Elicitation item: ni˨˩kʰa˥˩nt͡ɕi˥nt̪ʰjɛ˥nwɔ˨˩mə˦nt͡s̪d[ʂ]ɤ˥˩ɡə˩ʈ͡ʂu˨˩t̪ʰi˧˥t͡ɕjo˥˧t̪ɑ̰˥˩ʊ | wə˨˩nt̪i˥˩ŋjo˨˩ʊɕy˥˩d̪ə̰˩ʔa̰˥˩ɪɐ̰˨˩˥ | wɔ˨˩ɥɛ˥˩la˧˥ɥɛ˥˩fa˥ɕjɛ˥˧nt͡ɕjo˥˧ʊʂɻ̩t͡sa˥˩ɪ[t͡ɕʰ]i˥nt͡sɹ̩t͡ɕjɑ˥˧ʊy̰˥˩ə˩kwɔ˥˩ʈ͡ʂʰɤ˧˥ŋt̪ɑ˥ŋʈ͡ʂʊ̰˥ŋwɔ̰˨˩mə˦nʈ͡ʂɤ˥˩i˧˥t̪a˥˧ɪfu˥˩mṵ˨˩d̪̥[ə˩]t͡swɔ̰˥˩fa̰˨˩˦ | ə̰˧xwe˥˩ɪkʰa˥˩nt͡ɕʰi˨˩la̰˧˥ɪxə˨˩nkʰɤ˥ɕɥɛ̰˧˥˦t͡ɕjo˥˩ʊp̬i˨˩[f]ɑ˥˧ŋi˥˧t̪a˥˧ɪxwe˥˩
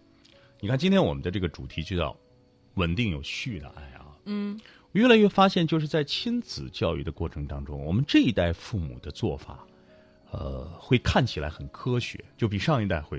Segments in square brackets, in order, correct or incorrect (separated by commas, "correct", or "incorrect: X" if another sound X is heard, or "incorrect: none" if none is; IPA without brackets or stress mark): incorrect: ʈ͡ʂ, correct, incorrect: ə˦, incorrect: ʂ